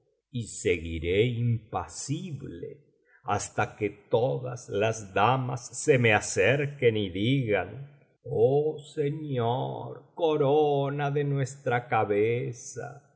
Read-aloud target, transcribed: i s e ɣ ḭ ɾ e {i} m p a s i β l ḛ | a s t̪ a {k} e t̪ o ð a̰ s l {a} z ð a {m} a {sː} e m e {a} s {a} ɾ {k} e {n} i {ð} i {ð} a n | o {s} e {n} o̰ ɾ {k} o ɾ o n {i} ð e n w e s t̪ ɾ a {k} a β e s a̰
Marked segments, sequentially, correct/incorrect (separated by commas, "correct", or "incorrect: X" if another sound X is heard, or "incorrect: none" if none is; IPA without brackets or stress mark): correct, correct, correct, correct, correct, correct, incorrect: e, correct, correct, correct, incorrect: ɣ, correct, incorrect: ɲ, correct, incorrect: a, correct